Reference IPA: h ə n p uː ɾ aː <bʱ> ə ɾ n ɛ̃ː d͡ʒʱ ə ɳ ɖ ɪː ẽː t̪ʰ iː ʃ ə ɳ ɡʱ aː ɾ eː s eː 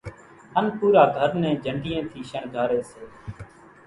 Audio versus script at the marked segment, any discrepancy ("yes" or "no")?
yes